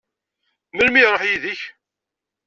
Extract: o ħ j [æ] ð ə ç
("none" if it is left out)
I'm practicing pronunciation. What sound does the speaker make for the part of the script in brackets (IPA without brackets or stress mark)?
i